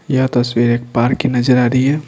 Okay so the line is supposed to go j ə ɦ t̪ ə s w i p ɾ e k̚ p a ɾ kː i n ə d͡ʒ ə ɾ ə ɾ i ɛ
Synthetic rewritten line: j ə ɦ t̪ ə s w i ɾ e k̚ p a ɾ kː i n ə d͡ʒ ə ɾ a ɾ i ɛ

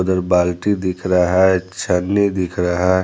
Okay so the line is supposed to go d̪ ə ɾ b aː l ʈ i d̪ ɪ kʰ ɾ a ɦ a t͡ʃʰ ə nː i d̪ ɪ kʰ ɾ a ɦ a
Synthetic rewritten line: d̪ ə ɾ b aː l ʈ i d̪ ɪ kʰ ɾ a ɦ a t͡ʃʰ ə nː i d̪ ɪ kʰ ɾ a ɦ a

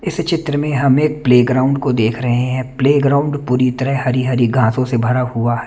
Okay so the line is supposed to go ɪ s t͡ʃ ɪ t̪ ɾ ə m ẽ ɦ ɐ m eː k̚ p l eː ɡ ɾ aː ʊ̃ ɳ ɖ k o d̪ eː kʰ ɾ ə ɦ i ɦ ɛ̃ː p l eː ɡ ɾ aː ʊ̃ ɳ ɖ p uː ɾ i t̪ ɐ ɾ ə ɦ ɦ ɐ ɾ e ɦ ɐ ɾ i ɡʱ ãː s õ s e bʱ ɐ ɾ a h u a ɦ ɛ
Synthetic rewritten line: ɪ s t͡ʃ ɪ t̪ ɾ ə m ẽ ɦ ɐ m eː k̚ p l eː ɡ ɾ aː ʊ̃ ɳ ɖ k o d̪ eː kʰ ɾ ɐ ɦ e ɦ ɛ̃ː p l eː ɡ ɾ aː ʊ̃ ɳ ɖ p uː ɾ i t̪ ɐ ɾ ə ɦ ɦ ɐ ɾ i ɦ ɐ ɾ i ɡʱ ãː s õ s e bʱ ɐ ɾ a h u a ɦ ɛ

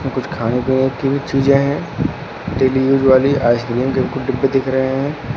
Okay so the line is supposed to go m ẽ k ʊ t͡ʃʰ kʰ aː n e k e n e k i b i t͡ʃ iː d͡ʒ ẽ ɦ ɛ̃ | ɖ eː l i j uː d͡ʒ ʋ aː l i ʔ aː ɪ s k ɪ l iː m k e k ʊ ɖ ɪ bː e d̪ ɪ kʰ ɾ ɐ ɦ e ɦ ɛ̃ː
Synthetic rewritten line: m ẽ k ʊ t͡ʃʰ kʰ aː n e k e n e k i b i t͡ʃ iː d͡ʒ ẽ ɦ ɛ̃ | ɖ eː l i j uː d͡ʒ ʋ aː l i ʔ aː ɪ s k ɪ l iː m k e k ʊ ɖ ɪ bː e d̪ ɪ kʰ ɾ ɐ ɦ e ɦ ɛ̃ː

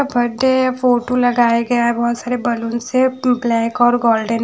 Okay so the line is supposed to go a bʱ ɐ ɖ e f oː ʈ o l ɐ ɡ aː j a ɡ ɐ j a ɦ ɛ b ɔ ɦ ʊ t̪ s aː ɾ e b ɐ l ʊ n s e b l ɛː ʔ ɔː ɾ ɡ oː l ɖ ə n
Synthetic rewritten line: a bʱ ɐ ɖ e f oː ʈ o l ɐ ɡ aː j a ɡ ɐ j a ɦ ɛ b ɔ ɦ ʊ t̪ s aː ɾ e b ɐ l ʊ n s e b l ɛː k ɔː ɾ ɡ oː l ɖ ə n

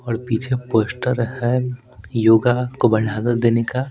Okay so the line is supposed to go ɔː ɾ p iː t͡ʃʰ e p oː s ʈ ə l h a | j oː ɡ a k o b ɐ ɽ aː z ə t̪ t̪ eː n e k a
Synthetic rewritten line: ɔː ɾ p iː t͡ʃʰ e p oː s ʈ ə ɾ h ɛ | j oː ɡ a k o b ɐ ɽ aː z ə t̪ d̪ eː n e k a

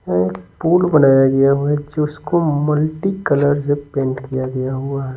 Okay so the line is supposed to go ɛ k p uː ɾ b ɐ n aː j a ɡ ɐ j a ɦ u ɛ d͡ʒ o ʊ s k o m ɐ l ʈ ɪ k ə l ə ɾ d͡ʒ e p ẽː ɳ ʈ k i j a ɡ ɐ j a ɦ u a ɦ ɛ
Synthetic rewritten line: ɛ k p uː l b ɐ n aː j a ɡ ɐ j a ɦ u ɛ d͡ʒ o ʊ s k o m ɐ l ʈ i k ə l ə ɾ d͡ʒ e p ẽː ɳ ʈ k i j a ɡ ɐ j a ɦ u a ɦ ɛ

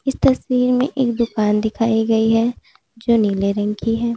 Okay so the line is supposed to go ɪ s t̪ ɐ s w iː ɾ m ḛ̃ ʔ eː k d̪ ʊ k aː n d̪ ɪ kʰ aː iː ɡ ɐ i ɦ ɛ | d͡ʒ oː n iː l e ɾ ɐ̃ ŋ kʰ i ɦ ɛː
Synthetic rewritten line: ɪ s t̪ ɐ s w iː ɾ m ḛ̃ ʔ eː k d̪ ʊ k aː n d̪ ɪ kʰ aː i ɡ ɐ i ɦ ɛ | d͡ʒ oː n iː l e ɾ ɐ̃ ŋ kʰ i ɦ ɛː

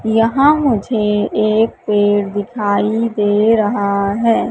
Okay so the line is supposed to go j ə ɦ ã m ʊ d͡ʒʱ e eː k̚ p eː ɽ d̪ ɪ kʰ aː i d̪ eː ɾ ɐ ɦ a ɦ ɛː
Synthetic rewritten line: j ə ɦ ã m ʊ d͡ʒʱ e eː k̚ p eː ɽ d̪ ɪ kʰ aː i d̪ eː ɾ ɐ ɦ a ɦ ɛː

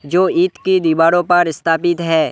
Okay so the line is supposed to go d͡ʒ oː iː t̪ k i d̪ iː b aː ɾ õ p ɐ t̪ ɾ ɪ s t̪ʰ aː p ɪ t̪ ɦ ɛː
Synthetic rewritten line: d͡ʒ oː iː t̪ k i d̪ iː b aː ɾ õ p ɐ ɾ ɪ s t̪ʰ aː p ɪ t̪ ɦ ɛː

